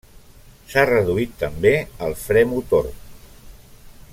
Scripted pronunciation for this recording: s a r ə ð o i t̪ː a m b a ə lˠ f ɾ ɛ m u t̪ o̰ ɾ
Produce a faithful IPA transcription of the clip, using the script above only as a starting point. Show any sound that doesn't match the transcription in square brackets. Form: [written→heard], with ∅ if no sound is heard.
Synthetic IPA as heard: s a r ə ð [o→u] i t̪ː [a→ə] m b [a→e] ə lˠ f ɾ ɛ m u t̪ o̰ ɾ